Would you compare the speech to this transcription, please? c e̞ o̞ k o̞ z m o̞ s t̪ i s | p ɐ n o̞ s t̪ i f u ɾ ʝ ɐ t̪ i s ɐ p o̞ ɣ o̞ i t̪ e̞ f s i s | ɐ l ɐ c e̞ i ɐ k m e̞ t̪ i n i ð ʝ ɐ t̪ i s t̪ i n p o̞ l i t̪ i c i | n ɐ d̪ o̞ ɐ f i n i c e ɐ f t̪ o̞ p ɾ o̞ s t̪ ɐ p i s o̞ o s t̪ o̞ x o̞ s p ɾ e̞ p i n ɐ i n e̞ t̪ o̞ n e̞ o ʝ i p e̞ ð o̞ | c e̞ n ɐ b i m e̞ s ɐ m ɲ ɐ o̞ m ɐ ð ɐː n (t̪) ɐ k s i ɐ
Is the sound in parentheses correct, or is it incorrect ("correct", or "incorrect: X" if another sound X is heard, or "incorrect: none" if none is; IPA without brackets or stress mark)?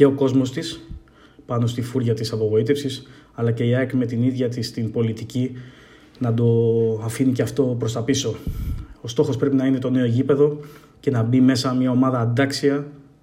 incorrect: d̪